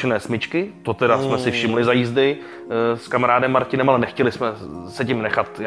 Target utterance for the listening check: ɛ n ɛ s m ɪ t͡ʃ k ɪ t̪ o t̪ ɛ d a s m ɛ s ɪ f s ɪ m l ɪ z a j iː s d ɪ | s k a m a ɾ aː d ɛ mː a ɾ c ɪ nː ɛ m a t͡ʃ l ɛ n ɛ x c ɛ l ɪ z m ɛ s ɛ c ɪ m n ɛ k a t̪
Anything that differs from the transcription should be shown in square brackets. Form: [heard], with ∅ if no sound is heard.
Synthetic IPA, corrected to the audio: ɛ n [ɛː] s m ɪ t͡ʃ k ɪ t̪ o t̪ ɛ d a s m ɛ s ɪ f [ʃ] ɪ m l ɪ z a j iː [z] d ɪ | s k a m a ɾ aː d ɛ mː a ɾ c ɪ [n] ɛ m a [∅] l ɛ n ɛ x c ɛ l ɪ [s] m ɛ s ɛ c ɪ m n ɛ [x] a t̪